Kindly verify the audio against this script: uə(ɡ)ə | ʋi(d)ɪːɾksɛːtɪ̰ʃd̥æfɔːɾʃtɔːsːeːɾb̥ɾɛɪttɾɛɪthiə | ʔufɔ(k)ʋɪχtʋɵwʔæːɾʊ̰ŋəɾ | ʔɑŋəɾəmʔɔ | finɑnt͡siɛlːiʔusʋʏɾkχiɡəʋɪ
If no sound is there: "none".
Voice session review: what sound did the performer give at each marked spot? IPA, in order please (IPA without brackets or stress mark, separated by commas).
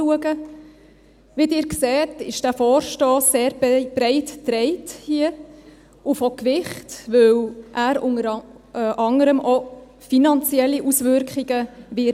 ɡ, d, k